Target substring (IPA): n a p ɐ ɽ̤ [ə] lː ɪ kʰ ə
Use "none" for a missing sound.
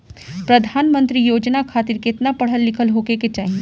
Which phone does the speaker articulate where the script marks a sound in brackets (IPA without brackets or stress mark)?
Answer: ə